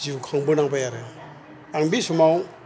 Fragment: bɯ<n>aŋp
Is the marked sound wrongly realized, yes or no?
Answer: no